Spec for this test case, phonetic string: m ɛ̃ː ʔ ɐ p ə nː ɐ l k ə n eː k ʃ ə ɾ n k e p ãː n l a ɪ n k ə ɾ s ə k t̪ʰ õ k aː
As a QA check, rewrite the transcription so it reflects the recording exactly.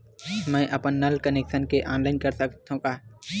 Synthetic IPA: m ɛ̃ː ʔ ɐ p ə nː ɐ l k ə n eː k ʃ ə n k e ʔ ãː n l a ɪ n k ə ɾ s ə k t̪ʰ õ k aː